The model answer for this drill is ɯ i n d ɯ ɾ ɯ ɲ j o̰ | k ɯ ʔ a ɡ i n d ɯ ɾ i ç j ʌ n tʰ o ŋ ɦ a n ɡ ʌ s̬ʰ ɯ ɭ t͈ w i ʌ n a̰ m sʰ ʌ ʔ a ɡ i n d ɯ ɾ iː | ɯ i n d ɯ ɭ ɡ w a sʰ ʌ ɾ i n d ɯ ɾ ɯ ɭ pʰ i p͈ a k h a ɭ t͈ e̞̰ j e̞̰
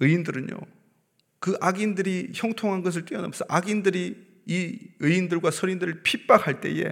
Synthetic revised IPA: ɯ i n d ɯ ɾ ɯ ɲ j o̰ | k ɯ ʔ a ɡ i n d ɯ ɾ i ç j ʌ ŋ tʰ o ŋ ɦ a n ɡ ʌ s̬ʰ ɯ ɭ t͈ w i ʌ n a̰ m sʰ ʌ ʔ a ɡ i n d ɯ ɾ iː | ɯ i n d ɯ ɭ ɡ w a sʰ ʌ ɾ i n d ɯ ɾ ɯ ɭ pʰ i p͈ a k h a ɭ t͈ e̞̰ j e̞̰